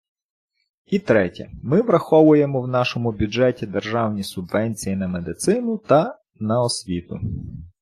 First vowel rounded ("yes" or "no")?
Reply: no